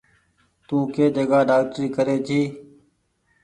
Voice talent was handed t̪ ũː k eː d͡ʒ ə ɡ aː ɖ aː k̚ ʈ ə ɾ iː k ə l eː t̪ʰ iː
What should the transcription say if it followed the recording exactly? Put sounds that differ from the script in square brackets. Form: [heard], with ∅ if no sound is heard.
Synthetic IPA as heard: t̪ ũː k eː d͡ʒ ə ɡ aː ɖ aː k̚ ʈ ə ɾ iː k ə [ɾ] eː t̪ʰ iː